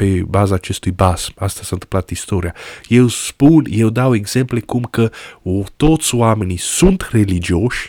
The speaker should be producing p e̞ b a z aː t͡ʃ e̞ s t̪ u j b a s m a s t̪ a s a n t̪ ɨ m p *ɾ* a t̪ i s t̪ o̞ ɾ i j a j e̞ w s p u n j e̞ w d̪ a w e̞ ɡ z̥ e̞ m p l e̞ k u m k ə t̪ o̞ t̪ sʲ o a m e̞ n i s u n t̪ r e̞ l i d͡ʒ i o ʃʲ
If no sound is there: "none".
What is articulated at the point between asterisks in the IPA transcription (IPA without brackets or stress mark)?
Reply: l